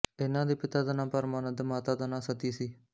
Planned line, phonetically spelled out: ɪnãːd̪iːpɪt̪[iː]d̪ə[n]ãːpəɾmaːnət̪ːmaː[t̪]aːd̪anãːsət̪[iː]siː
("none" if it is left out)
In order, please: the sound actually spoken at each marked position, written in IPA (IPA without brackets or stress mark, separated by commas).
aː, n, t̪, iː